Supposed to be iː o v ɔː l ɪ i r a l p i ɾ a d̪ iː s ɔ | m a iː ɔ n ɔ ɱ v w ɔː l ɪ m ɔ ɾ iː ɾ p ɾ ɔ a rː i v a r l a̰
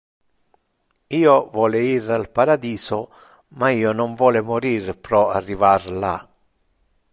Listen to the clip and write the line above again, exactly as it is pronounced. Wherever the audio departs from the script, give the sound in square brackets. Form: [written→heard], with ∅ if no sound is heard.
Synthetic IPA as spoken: iː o v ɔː l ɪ i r a l p [i→a] ɾ a d̪ iː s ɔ | m a iː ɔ n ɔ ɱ v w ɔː l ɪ m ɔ ɾ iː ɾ p ɾ ɔ a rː i v a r l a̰